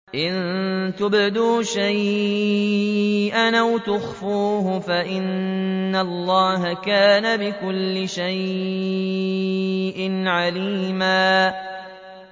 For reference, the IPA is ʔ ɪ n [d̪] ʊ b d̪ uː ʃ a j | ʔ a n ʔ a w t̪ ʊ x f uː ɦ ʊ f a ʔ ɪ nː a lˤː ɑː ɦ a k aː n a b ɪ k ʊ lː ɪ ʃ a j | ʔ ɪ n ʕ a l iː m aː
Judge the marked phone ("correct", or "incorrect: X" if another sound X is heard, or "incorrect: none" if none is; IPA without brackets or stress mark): incorrect: t̪